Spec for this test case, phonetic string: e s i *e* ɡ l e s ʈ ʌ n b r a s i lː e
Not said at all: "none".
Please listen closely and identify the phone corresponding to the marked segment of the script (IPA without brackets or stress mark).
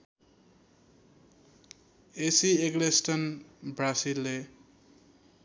e